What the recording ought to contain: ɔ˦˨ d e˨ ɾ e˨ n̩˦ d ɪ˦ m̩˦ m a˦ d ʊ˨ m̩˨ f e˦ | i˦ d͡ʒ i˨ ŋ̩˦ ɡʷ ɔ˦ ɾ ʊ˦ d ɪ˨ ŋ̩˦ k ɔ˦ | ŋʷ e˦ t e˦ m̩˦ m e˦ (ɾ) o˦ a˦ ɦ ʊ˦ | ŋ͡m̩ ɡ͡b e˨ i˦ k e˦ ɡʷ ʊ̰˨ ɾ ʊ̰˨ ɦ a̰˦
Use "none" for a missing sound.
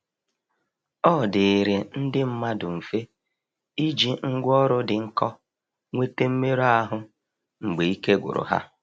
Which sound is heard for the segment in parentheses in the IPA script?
ɾ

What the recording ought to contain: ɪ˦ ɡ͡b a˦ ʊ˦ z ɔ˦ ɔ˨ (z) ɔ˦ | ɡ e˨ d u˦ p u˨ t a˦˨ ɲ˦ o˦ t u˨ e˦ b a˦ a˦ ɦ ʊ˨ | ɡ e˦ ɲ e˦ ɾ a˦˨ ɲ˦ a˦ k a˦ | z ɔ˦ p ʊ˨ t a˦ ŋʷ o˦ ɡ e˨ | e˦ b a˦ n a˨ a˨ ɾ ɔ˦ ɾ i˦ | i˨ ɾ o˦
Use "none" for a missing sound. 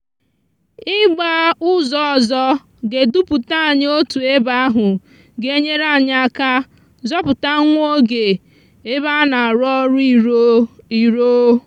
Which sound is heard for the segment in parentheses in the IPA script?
z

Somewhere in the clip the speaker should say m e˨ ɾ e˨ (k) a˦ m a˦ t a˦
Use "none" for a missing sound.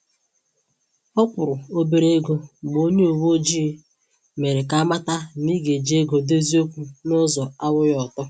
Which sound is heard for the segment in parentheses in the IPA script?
k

